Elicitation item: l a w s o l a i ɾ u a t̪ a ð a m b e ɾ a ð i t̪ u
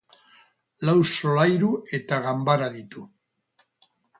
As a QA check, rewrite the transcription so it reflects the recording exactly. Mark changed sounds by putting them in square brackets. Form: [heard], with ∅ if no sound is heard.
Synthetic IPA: l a w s o l a [j] ɾ u [e] t̪ a [ɣ] a m b [a] ɾ a ð i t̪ u

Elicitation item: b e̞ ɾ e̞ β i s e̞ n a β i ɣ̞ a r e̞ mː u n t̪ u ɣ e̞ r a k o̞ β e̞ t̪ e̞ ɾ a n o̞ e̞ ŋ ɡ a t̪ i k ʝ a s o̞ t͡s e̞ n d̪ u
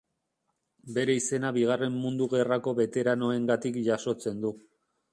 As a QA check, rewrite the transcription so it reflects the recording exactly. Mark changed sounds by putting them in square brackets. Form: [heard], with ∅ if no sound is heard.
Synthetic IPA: b e̞ ɾ e̞ [∅] i s e̞ n a β i ɣ̞ a r e̞ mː u n [d̪] u ɣ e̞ r a k o̞ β e̞ t̪ e̞ ɾ a n o̞ e̞ ŋ ɡ a t̪ i k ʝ a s o̞ t͡s e̞ n d̪ u

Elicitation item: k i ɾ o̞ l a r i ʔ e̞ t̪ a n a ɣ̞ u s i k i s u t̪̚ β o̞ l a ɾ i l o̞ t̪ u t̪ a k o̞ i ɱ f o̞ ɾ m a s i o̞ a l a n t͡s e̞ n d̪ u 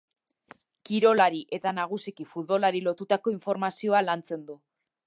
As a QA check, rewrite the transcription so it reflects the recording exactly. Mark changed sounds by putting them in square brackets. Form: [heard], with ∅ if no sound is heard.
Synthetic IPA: k i ɾ o̞ l a [ɾ] i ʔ e̞ t̪ a n a ɣ̞ u s i k i [f] u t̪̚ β o̞ l a ɾ i l o̞ t̪ u t̪ a k o̞ i ɱ f o̞ ɾ m a s i o̞ a l a n t͡s e̞ n d̪ u

